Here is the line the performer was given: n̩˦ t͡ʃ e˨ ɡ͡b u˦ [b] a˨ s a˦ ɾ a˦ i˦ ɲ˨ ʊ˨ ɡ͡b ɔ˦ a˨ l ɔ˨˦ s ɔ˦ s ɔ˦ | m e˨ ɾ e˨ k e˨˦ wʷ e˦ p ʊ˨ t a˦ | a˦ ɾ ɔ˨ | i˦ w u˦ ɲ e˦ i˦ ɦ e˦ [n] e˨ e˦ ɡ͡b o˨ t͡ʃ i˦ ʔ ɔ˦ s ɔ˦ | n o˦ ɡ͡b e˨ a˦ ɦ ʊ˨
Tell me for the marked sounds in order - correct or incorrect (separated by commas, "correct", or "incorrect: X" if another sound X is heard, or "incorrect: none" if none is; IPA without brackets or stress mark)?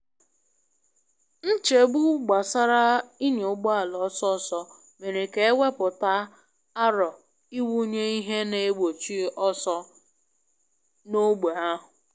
incorrect: ɡ͡b, correct